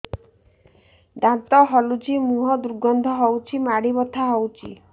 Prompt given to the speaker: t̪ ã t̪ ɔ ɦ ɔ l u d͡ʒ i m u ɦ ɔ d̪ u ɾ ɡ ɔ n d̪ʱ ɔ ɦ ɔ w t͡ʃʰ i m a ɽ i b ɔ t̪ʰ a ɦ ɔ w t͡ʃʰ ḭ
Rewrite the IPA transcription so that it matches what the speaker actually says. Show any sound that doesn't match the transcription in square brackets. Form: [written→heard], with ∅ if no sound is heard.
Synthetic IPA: [t̪→d̪] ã t̪ ɔ ɦ ɔ l u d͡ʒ i m u ɦ ɔ d̪ u ɾ ɡ ɔ n d̪ʱ ɔ ɦ ɔ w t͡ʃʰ i m a ɽ i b ɔ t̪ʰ a ɦ ɔ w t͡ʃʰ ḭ

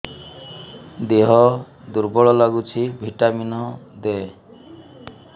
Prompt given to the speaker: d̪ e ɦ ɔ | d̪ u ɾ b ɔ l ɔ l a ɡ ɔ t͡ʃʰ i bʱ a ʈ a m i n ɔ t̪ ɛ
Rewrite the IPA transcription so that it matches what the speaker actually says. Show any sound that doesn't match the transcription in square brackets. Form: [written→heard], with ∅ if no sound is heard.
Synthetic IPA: d̪ e ɦ ɔ | d̪ u ɾ b ɔ [l→ɭ] ɔ l a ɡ [ɔ→u] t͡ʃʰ i bʱ [a→i] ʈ a m i n ɔ [t̪→d̪] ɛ

